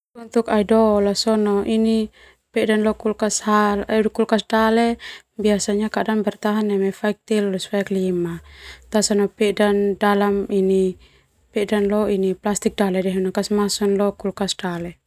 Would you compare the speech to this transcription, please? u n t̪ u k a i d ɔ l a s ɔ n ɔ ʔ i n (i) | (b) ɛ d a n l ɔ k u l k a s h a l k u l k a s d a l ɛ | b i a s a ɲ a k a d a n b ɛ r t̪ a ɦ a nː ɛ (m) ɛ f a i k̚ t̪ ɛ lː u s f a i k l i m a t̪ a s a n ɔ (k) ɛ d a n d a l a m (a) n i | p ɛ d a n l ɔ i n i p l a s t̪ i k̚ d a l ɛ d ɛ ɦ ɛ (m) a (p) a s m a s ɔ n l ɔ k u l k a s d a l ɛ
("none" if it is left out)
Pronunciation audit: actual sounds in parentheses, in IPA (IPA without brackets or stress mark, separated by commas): i, p, m, p, i, n, k